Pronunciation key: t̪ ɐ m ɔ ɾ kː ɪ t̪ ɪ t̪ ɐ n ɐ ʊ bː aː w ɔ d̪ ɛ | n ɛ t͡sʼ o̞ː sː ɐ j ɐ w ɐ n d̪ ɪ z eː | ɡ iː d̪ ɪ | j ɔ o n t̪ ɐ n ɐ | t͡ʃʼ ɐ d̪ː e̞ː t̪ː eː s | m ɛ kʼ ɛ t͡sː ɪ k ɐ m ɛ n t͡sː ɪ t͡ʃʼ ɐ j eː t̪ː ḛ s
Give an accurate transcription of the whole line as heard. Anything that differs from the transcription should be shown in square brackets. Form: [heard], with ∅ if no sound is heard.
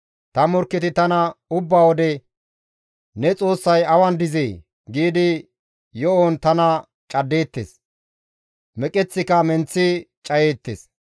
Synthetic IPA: t̪ ɐ m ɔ ɾ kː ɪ t̪ ɪ t̪ ɐ n ɐ ʊ bː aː w ɔ d̪ ɛ | n ɛ t͡sʼ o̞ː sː ɐ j ɐ w ɐ n d̪ ɪ z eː | ɡ iː d̪ ɪ | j ɔ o n t̪ ɐ n ɐ | t͡ʃʼ ɐ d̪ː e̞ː t̪ː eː s | m ɛ kʼ ɛ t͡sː ɪ k ɐ m ɛ n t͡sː ɪ t͡ʃʼ ɐ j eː t̪ː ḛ s